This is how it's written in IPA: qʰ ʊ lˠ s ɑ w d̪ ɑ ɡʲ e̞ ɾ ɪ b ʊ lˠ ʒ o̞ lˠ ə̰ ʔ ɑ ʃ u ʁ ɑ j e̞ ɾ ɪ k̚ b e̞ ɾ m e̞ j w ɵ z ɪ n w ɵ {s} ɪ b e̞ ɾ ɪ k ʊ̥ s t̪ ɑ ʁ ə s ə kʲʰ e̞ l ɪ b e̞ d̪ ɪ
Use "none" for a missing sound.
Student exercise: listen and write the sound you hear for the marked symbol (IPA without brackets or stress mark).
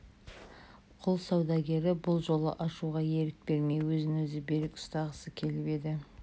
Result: z